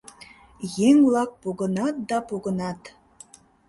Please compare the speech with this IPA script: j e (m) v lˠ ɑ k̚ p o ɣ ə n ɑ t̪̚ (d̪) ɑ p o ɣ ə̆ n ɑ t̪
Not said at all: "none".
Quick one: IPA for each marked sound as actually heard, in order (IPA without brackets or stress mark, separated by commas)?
ŋ, d̪